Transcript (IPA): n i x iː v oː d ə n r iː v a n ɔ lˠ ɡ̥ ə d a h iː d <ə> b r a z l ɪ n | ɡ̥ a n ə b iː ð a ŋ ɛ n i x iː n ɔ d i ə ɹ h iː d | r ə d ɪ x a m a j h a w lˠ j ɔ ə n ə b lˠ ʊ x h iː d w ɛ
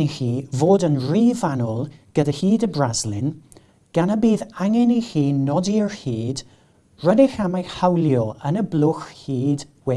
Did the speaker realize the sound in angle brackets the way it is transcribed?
yes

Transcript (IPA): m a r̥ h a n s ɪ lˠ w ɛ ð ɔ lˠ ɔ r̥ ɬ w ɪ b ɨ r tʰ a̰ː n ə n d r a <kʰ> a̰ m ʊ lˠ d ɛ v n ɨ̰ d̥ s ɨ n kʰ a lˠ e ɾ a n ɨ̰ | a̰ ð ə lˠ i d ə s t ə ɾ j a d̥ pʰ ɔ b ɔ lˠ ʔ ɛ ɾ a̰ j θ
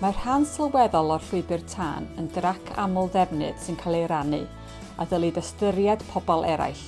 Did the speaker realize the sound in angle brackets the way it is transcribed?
yes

